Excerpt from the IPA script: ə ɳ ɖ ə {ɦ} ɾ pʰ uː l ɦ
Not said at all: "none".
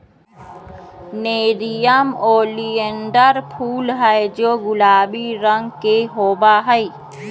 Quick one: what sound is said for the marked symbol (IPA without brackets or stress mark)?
none